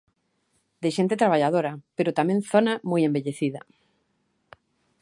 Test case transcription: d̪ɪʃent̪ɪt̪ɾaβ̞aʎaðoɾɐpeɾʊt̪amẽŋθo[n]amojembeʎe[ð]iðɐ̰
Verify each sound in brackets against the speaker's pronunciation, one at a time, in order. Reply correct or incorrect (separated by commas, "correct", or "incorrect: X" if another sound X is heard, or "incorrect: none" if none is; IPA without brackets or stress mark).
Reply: correct, incorrect: θ